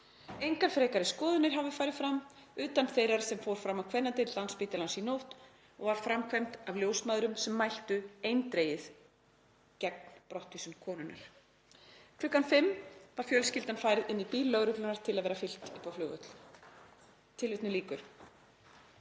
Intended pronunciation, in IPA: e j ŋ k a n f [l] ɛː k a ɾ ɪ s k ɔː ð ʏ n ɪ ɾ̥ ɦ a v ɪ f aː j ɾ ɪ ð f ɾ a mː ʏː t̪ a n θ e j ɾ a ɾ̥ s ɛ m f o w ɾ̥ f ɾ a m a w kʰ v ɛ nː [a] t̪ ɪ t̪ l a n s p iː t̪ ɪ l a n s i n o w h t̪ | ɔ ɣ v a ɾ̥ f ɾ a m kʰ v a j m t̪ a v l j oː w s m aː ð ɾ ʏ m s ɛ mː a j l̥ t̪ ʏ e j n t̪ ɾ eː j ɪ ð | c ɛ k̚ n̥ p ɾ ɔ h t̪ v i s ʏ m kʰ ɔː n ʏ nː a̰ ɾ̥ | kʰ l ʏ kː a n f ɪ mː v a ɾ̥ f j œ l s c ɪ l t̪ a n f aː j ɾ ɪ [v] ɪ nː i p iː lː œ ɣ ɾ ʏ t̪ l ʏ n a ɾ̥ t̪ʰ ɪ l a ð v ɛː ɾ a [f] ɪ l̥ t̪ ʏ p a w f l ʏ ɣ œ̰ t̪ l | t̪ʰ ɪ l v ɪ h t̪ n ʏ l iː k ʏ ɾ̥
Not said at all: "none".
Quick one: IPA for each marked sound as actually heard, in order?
ɾ, a, ð, f

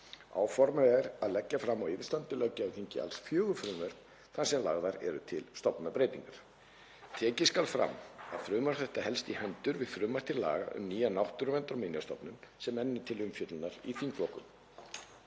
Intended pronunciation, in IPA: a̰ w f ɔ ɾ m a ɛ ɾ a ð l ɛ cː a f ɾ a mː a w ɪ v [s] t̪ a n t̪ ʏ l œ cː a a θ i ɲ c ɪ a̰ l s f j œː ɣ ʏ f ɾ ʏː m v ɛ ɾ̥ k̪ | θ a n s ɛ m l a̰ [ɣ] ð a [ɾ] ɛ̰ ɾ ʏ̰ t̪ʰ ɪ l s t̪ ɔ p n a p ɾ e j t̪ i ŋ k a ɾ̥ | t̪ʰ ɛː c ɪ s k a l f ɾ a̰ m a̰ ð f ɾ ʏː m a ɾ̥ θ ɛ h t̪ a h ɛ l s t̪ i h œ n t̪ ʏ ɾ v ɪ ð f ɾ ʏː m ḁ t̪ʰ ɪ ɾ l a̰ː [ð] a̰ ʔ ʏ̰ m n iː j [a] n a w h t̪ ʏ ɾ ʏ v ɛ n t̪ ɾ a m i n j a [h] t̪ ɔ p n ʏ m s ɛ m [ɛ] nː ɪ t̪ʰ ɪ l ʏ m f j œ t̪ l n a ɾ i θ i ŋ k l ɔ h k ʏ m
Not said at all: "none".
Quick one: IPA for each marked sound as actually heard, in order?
s, ɣ, ɾ, ɣ, a, s, ɛ

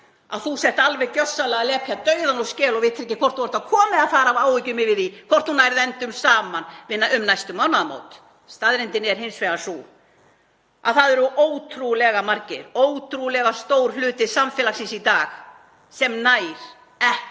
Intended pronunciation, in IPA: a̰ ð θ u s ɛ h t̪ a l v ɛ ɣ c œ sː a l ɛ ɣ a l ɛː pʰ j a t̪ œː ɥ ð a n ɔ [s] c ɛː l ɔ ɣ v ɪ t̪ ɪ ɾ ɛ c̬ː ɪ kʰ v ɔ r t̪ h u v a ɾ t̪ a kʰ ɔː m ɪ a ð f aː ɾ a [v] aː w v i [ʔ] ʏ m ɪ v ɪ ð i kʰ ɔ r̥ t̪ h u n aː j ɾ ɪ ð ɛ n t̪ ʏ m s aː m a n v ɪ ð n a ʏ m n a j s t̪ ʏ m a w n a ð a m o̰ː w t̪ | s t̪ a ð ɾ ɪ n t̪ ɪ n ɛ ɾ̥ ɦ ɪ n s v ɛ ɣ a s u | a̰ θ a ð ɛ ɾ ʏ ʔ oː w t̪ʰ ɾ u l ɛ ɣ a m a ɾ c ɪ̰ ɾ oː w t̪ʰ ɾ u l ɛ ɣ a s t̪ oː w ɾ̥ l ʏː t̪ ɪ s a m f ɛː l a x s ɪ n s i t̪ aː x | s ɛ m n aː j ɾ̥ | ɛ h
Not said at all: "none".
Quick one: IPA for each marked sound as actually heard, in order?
s, v, c

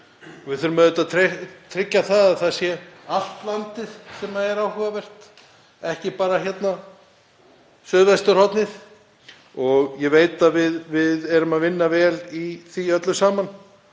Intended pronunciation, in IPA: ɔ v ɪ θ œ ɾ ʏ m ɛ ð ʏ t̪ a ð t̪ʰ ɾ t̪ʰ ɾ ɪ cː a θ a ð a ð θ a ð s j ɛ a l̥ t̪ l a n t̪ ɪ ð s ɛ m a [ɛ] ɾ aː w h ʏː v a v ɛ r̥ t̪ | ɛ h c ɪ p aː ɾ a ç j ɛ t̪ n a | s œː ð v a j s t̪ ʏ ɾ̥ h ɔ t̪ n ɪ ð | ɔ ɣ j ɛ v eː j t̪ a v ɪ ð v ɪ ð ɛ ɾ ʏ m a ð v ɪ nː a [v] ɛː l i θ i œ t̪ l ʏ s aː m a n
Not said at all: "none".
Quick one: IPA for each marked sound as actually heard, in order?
ɛ, v

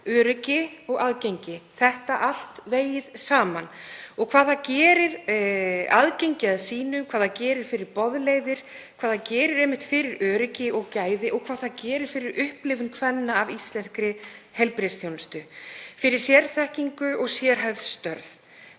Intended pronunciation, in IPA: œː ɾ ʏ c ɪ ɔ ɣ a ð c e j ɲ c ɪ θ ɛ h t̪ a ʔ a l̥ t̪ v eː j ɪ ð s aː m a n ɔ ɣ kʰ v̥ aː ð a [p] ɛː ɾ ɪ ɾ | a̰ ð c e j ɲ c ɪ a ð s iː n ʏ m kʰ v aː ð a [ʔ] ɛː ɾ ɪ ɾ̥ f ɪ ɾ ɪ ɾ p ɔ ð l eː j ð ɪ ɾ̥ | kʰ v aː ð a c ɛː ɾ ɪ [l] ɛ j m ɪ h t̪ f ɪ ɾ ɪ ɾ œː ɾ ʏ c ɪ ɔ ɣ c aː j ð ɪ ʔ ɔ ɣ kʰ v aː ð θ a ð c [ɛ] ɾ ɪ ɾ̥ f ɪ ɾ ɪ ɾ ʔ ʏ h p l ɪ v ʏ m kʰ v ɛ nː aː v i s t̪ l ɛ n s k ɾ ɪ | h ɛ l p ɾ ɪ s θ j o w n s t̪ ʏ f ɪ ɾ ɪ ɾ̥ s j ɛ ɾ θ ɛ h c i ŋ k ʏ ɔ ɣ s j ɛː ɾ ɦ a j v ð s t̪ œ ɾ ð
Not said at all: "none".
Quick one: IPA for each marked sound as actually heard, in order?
c, c, ɾ, ɛː

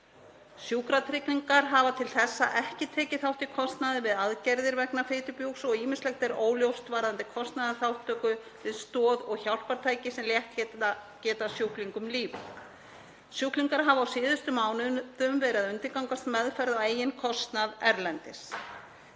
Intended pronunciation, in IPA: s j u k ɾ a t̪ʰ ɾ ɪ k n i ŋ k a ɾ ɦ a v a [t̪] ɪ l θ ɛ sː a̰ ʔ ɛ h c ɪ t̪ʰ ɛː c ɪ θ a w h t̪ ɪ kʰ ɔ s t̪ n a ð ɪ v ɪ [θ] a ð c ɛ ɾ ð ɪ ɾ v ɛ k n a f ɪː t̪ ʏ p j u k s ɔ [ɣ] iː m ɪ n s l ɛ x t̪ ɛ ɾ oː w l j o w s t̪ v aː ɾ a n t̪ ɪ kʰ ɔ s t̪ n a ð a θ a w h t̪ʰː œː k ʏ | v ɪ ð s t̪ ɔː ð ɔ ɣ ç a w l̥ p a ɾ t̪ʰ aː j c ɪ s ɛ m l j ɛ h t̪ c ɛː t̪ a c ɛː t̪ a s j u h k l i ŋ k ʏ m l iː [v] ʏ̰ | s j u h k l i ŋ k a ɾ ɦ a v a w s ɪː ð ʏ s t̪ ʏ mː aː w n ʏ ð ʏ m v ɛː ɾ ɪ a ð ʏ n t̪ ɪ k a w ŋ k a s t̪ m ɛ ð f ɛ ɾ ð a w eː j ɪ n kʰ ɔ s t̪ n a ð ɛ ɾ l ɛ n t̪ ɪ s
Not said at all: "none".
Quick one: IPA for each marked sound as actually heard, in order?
t̪ʰ, ð, ɣ, v

